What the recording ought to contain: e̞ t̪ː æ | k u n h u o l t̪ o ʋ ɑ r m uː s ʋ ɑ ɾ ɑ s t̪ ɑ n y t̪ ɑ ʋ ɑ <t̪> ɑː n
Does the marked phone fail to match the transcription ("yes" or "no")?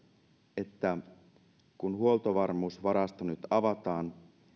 no